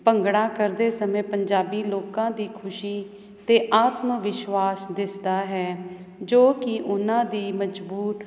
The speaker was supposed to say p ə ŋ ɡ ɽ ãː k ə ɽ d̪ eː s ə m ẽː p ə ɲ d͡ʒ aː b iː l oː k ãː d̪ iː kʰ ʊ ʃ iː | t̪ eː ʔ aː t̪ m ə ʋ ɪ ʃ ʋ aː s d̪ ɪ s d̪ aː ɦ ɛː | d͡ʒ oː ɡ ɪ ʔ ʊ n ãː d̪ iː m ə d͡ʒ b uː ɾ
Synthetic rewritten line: p ə ŋ ɡ ɽ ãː k ə ɾ d̪ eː s ə m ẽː p ə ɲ d͡ʒ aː b iː l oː k ãː d̪ iː kʰ ʊ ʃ iː | t̪ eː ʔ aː t̪ m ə ʋ ɪ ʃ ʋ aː s d̪ ɪ s d̪ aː ɦ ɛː | d͡ʒ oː k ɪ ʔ ʊ n ãː d̪ iː m ə d͡ʒ b uː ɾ